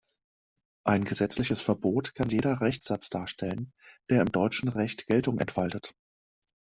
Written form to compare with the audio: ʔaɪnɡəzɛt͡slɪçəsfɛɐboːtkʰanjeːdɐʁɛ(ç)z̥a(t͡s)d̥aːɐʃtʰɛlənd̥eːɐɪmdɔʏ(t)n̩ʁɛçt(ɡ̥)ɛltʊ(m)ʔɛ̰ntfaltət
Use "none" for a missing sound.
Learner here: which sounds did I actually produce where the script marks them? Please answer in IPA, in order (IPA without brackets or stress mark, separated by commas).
ç, t͡s, t͡ʃ, ɡ̥, ŋ